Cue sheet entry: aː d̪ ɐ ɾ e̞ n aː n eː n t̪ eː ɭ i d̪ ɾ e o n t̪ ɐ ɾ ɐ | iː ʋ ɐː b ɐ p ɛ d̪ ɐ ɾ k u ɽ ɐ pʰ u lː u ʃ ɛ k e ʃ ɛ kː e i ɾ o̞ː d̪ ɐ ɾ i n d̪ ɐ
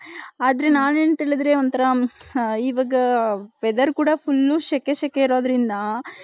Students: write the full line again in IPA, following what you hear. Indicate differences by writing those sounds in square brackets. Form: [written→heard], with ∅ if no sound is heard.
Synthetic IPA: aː d̪ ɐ ɾ e̞ n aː n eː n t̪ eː ɭ i d̪ ɾ e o n t̪ ɐ ɾ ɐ | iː ʋ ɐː [b→ɡ] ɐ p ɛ d̪ ɐ ɾ k [u→uː] ɽ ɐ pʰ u lː u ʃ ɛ k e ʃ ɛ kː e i ɾ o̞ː d̪ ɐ ɾ i n d̪ ɐ